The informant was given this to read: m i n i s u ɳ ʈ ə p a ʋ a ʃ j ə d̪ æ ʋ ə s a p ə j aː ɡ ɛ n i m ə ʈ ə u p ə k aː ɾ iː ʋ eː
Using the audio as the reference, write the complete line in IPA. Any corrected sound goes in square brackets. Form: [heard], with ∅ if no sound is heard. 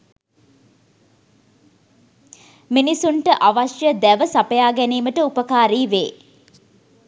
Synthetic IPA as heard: m i n i s u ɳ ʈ ə [ʔ] a ʋ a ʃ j ə d̪ æ ʋ ə s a p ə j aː ɡ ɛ n [iː] m ə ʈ ə u p ə k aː ɾ iː ʋ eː